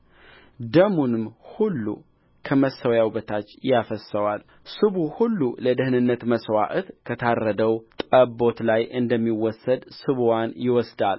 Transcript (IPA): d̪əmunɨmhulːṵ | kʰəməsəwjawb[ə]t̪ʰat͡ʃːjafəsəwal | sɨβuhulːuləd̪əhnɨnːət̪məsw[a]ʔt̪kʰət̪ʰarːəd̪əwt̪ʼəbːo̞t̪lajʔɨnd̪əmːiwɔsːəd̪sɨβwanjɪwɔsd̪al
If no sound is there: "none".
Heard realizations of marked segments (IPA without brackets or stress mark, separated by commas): ə, a